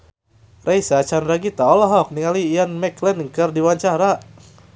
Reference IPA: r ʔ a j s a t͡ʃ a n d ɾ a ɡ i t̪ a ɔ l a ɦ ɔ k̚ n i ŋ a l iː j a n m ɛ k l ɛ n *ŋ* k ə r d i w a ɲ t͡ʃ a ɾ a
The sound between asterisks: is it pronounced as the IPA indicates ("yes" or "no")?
yes